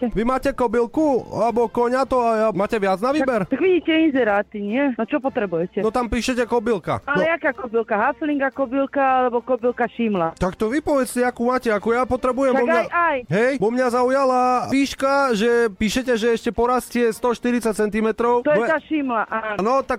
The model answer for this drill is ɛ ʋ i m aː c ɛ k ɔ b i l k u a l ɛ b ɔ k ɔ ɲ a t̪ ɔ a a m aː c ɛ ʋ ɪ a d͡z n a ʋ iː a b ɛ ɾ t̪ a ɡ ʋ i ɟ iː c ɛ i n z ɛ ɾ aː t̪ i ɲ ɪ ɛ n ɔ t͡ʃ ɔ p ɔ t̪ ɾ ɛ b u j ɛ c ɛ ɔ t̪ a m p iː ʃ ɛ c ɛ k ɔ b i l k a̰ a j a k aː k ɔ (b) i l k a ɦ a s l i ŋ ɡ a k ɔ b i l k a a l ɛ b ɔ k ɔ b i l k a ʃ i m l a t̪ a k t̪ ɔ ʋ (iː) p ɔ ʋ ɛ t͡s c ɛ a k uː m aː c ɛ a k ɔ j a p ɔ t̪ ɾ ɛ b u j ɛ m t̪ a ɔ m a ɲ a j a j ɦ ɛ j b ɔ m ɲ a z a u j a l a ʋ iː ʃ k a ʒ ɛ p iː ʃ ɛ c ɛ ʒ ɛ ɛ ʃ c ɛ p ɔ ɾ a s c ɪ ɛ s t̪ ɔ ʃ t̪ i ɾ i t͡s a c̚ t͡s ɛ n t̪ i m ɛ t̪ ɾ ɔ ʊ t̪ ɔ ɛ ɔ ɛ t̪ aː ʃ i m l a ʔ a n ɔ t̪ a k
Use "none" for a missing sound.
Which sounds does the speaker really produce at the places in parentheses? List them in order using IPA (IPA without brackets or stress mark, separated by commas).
b, i